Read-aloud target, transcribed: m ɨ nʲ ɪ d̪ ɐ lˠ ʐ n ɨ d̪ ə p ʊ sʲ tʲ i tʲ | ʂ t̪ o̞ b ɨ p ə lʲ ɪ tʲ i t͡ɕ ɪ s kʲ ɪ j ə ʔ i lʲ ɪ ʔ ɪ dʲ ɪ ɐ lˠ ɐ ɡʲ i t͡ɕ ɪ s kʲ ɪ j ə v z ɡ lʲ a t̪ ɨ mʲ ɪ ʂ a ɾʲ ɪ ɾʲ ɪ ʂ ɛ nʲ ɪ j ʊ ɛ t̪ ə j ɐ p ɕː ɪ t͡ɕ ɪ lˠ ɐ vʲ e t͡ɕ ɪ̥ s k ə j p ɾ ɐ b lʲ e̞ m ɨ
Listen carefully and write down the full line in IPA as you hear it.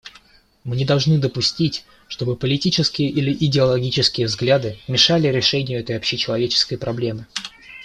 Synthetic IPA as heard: m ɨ nʲ ɪ d̪ ɐ lˠ ʐ n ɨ d̪ ə p ʊ sʲ tʲ i tʲ | ʂ t̪ o̞ b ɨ p ə lʲ ɪ tʲ i t͡ɕ ɪ s kʲ ɪ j ə ʔ i lʲ ɪ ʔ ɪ dʲ ɪ ɐ lˠ ɐ ɡʲ i t͡ɕ ɪ s kʲ ɪ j ə v z ɡ lʲ a d̪ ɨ mʲ ɪ ʂ a lʲ ɪ ɾʲ ɪ ʂ ɛ nʲ ɪ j ʊ ɛ t̪ ə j ɐ p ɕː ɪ t͡ɕ ɪ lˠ ɐ vʲ e t͡ɕ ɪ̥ s k ə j p ɾ ɐ b lʲ e̞ m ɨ

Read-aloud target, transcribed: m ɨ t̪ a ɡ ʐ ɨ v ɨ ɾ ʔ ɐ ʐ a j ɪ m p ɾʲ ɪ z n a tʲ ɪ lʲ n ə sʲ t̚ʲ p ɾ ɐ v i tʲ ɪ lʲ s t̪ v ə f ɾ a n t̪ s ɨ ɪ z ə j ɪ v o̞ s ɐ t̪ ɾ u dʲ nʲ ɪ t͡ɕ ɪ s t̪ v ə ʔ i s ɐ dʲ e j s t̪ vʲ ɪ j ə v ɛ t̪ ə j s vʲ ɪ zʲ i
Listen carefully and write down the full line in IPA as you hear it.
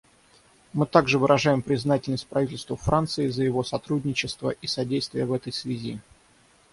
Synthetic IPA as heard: m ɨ t̪ a ɡ ʐ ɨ v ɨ ɾ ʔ ɐ ʐ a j ɪ m p ɾʲ ɪ z n a tʲ ɪ lʲ n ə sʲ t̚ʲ p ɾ ɐ v i tʲ ɪ lʲ s t̪ v ə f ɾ a n t̪ s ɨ ɪ z ə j ɪ v o̞ s ɐ t̪ ɾ u dʲ nʲ ɪ t͡ɕ ɪ s t̪ v ə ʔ i s ɐ dʲ e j s t̪ vʲ ɪ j ə v ɛ t̪ ə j s vʲ ɪ zʲ i

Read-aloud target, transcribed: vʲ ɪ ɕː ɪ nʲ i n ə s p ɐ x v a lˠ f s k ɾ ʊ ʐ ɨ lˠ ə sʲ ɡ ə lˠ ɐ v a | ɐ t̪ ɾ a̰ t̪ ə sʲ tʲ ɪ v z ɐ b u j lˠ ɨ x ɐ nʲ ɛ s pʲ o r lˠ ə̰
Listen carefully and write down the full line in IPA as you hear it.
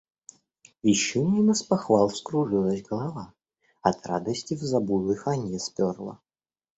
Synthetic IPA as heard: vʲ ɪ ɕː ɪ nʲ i n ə s p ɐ x v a lˠ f s k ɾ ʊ ʐ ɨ lˠ ə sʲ ɡ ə lˠ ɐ v a | ɐ t̪ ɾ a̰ d̪ ə sʲ tʲ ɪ v z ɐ b u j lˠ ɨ x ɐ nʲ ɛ s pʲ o r lˠ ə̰

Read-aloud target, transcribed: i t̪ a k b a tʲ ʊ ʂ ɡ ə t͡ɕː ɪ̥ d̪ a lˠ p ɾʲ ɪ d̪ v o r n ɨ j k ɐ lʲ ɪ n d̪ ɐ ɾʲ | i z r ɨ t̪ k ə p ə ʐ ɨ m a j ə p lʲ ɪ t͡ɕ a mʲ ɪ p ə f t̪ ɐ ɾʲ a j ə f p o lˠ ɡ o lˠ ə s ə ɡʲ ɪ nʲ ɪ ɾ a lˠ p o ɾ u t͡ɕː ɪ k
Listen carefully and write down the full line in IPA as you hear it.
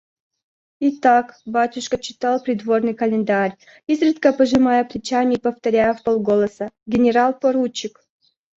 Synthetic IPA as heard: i t̪ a k b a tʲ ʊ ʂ k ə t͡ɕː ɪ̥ t̪ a lˠ p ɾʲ ɪ d̪ v o r n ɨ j k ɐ lʲ ɪ n d̪ a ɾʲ | i z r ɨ t̪ k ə p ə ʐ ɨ m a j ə p lʲ ɪ t͡ɕ a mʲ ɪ p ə f t̪ ɐ ɾʲ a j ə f p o lˠ ɡ o lˠ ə s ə ɡʲ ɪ nʲ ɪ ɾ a lˠ p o ɾ u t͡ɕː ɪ k

